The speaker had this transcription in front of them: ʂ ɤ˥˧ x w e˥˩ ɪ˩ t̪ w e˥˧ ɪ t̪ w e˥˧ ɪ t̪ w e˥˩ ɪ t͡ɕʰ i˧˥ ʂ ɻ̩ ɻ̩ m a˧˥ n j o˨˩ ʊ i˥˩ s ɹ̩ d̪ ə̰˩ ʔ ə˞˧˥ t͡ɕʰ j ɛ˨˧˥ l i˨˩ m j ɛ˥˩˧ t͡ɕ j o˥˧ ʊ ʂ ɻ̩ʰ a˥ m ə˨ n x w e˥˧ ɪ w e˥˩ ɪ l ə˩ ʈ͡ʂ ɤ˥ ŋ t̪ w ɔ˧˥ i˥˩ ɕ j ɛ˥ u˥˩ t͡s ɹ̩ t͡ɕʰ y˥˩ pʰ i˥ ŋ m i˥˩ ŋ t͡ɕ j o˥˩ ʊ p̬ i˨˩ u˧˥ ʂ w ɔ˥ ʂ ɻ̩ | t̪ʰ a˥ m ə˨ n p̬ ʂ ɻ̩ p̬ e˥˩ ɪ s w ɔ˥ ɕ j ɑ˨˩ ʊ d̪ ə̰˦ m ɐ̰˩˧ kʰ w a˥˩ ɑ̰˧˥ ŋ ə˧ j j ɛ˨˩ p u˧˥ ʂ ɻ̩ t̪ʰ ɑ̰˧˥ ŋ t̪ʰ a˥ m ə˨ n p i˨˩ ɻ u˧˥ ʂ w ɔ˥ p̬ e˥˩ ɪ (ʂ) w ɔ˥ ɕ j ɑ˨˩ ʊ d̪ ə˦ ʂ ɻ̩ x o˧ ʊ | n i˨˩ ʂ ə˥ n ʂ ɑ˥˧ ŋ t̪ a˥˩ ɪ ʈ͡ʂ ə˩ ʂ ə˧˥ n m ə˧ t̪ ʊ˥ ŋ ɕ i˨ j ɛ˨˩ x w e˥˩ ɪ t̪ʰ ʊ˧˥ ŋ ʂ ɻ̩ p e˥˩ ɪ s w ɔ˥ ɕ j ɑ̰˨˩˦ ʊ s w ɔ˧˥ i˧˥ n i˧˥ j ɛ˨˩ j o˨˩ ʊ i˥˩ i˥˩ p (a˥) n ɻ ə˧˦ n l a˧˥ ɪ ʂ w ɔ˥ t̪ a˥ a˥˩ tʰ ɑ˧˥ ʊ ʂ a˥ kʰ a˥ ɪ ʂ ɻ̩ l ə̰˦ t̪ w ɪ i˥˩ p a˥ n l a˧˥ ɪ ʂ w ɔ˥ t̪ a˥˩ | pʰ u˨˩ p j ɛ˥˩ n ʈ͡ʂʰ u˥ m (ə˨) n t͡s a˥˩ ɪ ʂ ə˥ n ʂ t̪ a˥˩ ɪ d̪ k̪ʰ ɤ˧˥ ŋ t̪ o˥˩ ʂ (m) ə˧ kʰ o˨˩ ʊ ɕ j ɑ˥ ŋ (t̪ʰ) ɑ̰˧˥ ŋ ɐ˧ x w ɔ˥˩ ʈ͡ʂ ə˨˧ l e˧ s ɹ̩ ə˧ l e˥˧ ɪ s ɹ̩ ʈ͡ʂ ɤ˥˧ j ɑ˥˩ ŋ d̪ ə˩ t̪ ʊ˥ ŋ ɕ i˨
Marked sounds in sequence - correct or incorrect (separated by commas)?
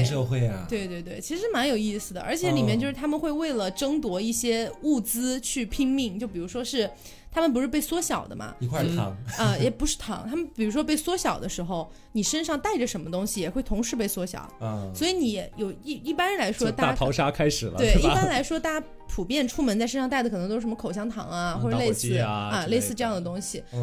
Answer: incorrect, correct, incorrect, correct, correct